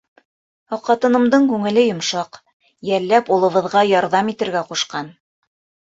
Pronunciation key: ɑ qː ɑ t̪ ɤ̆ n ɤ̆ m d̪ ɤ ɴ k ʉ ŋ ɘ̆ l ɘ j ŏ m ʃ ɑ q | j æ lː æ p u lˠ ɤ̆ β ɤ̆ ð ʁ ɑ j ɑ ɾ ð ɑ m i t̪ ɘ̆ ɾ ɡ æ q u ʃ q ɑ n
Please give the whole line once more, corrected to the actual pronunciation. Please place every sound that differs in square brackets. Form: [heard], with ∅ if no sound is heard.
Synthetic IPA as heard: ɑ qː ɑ t̪ ɤ̆ n ɤ̆ m d̪ ɤ ɴ k ʉ ŋ ɘ̆ l ɘ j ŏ m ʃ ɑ q | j æ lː æ p u lˠ ɤ̆ β ɤ̆ ð ʁ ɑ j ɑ ɾ ð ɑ m i t̪ ɘ̆ ɾ ɡ æ q u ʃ q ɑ n